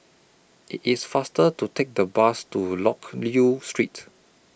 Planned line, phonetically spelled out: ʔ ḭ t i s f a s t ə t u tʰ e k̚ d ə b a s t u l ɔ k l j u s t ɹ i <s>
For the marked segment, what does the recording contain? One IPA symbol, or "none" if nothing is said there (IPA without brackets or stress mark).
t